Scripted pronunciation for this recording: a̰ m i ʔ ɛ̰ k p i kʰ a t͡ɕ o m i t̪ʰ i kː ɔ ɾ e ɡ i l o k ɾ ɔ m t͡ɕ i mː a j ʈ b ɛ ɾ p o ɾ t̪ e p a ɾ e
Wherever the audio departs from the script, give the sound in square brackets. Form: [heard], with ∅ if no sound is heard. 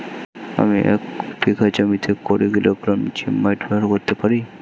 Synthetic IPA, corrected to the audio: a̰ m i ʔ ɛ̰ k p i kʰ a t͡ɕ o m i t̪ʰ [e] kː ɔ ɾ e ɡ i l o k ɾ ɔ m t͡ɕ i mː a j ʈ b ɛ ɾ [k] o ɾ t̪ e p a ɾ [i]